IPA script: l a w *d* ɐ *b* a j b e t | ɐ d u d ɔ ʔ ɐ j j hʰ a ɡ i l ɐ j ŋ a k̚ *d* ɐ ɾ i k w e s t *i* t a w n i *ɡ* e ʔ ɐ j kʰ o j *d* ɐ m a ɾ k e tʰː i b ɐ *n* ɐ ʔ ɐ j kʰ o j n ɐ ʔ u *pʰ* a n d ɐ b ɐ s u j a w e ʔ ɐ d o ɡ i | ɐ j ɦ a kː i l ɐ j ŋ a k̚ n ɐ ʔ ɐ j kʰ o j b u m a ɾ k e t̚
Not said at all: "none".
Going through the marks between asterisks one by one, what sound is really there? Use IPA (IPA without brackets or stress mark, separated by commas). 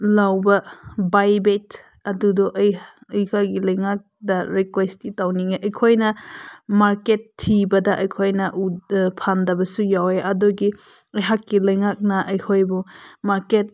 b, b, d, i, ŋ, n, d, pʰ